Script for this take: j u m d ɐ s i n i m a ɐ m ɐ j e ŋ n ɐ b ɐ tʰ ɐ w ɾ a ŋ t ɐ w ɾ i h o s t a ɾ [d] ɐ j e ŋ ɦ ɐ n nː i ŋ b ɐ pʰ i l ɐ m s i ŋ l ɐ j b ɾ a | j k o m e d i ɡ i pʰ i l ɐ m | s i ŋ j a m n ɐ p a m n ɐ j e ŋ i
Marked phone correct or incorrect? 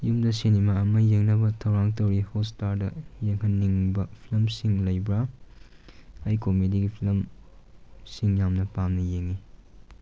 correct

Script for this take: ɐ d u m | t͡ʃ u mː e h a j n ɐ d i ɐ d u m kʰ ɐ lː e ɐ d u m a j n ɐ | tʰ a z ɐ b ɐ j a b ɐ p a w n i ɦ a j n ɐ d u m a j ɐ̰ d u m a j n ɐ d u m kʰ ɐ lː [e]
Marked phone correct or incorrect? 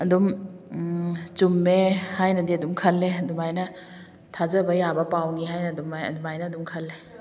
correct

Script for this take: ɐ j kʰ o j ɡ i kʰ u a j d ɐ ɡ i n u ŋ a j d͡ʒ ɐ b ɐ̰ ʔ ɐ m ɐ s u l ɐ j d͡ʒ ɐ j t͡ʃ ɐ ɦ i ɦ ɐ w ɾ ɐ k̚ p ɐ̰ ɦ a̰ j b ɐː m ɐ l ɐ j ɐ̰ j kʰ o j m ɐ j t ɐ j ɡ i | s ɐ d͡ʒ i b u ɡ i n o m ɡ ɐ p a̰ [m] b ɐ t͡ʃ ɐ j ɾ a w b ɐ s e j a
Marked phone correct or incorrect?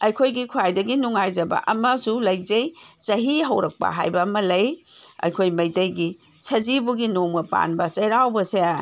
incorrect: n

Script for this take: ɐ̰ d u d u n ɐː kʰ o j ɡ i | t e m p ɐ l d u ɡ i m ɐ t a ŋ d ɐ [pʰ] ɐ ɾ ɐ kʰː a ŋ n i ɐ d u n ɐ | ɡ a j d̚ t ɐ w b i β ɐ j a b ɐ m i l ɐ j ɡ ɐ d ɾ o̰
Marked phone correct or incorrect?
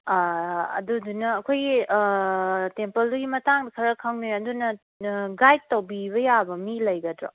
incorrect: kʰ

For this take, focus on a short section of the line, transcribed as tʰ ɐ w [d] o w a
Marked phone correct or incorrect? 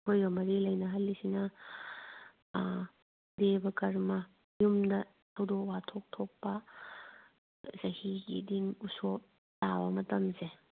correct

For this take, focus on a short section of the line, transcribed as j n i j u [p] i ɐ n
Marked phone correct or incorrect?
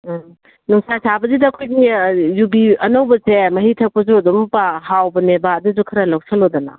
incorrect: b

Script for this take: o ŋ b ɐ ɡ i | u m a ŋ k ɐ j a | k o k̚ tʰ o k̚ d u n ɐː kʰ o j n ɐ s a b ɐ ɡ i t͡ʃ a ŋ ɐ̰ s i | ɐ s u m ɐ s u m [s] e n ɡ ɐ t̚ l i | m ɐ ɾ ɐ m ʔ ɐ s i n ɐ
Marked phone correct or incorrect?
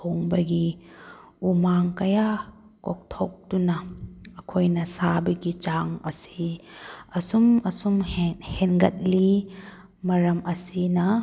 incorrect: h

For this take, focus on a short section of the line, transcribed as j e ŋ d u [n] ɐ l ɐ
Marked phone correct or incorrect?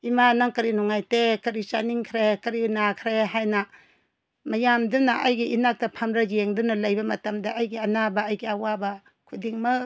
correct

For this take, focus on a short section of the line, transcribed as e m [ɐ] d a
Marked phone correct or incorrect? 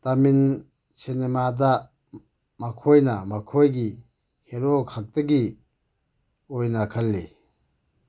incorrect: a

